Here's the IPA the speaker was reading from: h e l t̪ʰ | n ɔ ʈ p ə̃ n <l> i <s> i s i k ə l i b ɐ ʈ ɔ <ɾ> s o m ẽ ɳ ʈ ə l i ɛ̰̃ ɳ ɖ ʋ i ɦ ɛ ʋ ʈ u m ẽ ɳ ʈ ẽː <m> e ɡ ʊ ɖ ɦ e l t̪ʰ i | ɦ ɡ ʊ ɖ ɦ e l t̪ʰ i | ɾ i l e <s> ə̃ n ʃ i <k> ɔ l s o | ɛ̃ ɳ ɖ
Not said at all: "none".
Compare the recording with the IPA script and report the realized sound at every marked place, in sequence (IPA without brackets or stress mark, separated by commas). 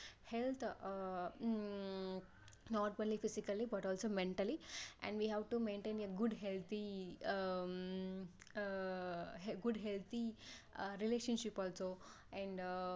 l, f, l, n, ʃ, p